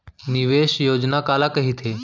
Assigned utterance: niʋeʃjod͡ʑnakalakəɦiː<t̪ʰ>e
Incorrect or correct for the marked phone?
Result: correct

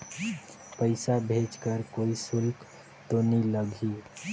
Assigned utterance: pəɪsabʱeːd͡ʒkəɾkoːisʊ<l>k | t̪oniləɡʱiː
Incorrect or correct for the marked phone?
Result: correct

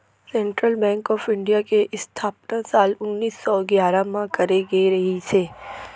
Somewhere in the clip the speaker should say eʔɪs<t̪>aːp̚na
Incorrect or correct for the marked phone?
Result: incorrect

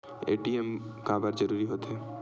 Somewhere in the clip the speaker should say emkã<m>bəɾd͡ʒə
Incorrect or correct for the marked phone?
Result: incorrect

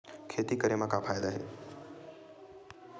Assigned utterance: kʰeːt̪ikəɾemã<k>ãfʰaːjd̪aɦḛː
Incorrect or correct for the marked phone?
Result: correct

